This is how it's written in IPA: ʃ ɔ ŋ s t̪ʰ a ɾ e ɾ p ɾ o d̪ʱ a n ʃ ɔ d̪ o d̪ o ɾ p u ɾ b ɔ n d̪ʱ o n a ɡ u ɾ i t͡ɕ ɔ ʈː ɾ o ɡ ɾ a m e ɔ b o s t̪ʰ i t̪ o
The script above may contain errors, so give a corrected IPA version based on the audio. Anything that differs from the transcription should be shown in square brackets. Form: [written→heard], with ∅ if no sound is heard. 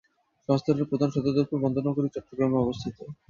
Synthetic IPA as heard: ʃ ɔ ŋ s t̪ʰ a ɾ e ɾ p ɾ o d̪ʱ a n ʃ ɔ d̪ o d̪ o ɾ p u ɾ b ɔ n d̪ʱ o n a ɡ [u→o] ɾ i t͡ɕ ɔ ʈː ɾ o ɡ ɾ a m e ɔ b o s t̪ʰ i t̪ o